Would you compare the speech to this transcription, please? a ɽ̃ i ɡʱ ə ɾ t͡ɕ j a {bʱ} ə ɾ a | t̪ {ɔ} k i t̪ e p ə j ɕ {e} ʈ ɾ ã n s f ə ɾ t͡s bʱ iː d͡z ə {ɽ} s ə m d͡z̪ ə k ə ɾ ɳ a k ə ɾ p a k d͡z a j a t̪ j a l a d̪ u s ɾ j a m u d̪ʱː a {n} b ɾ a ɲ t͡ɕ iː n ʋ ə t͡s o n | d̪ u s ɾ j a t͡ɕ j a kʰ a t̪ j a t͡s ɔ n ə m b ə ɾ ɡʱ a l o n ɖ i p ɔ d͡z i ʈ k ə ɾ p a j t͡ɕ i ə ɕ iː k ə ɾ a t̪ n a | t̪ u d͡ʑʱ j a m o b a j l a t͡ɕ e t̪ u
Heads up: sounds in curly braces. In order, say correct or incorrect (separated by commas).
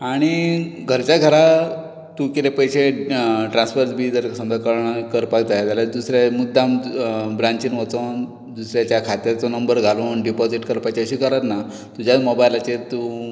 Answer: incorrect, incorrect, correct, incorrect, incorrect